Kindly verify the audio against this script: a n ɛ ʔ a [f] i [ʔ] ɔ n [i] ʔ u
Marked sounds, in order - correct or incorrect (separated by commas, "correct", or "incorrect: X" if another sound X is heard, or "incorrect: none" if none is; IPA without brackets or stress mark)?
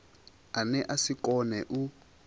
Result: incorrect: s, incorrect: k, incorrect: ɛ